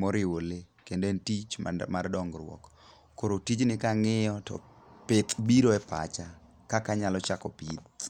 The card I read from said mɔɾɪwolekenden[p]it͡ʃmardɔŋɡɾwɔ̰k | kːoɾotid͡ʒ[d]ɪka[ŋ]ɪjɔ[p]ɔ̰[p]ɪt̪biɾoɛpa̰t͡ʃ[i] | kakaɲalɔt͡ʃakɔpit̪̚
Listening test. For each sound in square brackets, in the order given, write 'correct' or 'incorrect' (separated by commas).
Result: incorrect, incorrect, correct, incorrect, correct, incorrect